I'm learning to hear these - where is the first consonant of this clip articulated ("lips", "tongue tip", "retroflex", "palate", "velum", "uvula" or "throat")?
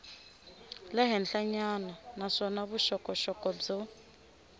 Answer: tongue tip